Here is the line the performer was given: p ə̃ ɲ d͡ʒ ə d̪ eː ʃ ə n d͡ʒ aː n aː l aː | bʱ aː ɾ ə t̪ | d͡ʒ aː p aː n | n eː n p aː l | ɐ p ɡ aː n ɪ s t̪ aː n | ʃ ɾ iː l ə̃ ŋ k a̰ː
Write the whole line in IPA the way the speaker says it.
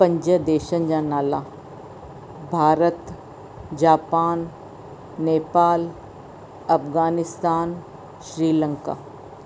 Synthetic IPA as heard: p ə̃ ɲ d͡ʒ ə d̪ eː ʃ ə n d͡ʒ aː n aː l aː | bʱ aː ɾ ə t̪ | d͡ʒ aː p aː n | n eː p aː l | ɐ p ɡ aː n ɪ s t̪ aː n | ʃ ɾ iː l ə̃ ŋ k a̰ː